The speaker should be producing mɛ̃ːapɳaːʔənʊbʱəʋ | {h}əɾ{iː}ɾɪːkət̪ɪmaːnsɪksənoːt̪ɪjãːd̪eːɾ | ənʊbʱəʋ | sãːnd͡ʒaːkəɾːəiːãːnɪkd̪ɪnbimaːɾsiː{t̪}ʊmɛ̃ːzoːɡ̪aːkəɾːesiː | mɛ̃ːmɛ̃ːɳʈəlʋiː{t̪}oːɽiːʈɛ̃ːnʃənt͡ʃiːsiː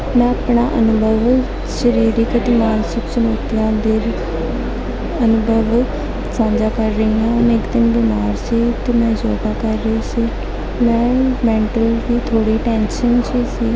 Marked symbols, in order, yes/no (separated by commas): no, yes, yes, no